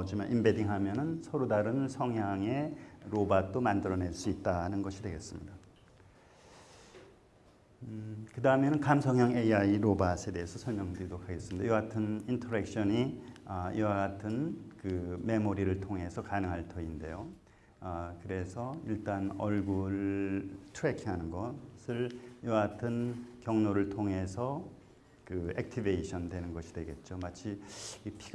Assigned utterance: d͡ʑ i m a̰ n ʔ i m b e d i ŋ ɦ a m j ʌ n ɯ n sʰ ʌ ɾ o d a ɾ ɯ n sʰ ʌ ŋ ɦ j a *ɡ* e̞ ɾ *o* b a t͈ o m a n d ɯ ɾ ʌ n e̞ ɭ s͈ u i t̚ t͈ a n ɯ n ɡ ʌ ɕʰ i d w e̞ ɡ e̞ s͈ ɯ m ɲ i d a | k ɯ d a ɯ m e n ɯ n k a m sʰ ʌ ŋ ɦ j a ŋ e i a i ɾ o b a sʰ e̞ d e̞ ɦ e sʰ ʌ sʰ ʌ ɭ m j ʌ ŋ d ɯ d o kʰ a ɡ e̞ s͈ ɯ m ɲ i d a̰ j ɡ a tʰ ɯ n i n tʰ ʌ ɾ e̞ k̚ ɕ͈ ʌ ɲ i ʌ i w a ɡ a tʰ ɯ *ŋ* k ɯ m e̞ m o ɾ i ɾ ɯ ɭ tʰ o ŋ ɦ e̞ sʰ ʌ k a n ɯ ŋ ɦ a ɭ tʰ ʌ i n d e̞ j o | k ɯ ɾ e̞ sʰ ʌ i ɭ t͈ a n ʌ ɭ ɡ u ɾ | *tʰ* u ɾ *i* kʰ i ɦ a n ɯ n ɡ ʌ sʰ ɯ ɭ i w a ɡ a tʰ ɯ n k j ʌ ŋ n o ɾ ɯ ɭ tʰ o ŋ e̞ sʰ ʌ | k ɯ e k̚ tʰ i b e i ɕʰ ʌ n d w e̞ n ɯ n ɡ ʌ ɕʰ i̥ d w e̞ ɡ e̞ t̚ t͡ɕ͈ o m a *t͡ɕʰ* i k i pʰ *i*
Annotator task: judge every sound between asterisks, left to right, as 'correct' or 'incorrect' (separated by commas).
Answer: incorrect, correct, incorrect, correct, incorrect, correct, correct